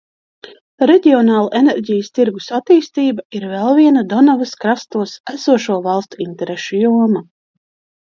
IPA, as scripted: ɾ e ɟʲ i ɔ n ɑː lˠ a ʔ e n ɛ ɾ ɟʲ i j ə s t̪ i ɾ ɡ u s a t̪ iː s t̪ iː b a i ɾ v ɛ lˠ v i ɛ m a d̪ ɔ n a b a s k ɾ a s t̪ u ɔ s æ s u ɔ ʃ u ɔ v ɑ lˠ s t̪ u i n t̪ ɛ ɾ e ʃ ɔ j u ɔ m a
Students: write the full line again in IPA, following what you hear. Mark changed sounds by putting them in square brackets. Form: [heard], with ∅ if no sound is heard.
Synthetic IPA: ɾ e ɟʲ i ɔ n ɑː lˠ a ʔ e n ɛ ɾ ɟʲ i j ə s t̪ i ɾ ɡ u s a t̪ iː s t̪ iː b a i ɾ v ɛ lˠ v i ɛ [n] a d̪ ɔ n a [v] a s k ɾ a s t̪ u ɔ s æ s u ɔ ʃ u ɔ v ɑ lˠ s t̪ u i n t̪ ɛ ɾ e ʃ [u] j u ɔ m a

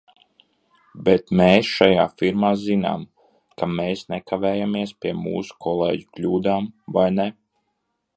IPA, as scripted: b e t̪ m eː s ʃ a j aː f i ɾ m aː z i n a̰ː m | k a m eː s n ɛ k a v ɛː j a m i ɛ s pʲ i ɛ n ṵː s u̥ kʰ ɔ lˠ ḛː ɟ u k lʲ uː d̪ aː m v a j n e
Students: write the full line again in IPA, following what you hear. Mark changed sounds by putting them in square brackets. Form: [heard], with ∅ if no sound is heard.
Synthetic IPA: b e t̪ m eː s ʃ a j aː f i ɾ m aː z i n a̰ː m | k a m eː s n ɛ k a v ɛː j a m i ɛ s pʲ i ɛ [m] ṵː s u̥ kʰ ɔ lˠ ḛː ɟ u k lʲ uː d̪ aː m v a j n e

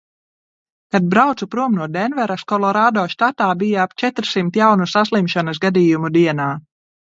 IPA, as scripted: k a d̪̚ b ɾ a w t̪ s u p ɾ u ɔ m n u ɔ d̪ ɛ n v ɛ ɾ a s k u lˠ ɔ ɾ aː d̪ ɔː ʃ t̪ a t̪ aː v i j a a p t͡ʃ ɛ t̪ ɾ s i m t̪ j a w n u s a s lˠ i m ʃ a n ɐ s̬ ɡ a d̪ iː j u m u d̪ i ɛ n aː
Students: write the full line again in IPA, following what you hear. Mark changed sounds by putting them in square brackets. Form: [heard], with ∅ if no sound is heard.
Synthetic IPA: k a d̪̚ b ɾ a w t̪ s u p ɾ u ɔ m n u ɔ d̪ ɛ n v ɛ ɾ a s k [ɔ] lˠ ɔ ɾ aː d̪ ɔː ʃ t̪ a t̪ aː [b] i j a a p t͡ʃ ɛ t̪ ɾ s i m t̪ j a w n u s a s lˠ i m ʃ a n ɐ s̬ ɡ a d̪ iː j u m u d̪ i ɛ n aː

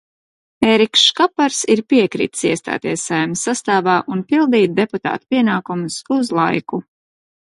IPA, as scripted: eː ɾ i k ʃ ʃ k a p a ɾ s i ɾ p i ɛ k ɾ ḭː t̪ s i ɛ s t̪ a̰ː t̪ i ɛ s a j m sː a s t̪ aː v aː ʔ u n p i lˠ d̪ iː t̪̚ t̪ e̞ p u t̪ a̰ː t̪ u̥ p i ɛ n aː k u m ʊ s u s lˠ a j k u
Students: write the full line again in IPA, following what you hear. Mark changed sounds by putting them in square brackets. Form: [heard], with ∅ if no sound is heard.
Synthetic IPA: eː ɾ i k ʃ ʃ k a p a ɾ s i ɾ p i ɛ k ɾ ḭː t̪ s i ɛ s t̪ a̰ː t̪ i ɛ s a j m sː a s t̪ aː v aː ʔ u n p i lˠ d̪ iː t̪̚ [d̪] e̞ p u t̪ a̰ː t̪ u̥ p i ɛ n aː k u m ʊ s u [z] lˠ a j k u

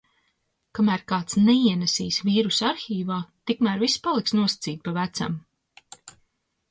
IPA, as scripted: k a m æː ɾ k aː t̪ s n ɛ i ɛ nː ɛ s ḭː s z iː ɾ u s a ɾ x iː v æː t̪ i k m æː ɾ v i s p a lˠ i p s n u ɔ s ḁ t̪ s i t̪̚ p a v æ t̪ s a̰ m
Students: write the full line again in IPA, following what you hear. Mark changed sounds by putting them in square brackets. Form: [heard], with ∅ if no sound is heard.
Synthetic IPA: k a m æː ɾ k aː t̪ s n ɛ i ɛ [n] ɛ s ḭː s [v] iː ɾ u s a ɾ x iː v [aː] t̪ i k m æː ɾ v i s p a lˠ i [k] s n u ɔ s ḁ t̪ s [iː] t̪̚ p a v æ t̪ s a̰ m

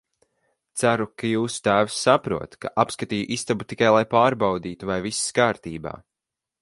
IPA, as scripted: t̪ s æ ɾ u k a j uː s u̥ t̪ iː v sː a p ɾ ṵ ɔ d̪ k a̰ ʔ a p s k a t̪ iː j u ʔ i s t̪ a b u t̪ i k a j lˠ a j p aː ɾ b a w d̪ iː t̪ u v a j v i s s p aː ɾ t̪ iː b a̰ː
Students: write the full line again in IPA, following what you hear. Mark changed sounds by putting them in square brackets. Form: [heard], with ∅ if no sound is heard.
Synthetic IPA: t̪ s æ ɾ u k a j uː s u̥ t̪ [æː] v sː a p ɾ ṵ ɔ [t̪] k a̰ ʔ a p s k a t̪ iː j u ʔ i s t̪ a b u t̪ i k a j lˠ a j p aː ɾ b a w d̪ iː t̪ u v a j v i s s [k] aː ɾ t̪ iː b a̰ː

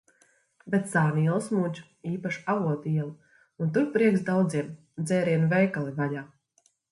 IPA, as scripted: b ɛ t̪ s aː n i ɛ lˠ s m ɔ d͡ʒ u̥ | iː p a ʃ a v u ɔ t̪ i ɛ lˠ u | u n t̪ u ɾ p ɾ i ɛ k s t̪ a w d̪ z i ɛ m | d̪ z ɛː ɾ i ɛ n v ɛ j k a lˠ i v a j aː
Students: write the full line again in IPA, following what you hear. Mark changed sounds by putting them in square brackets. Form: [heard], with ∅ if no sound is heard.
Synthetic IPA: b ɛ t̪ s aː n i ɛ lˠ s m [u] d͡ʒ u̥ | iː p a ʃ a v u ɔ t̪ i ɛ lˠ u | u n t̪ u ɾ p ɾ i ɛ k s [d̪] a w d̪ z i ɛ m | d̪ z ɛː ɾ i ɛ n v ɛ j k a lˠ i v a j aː

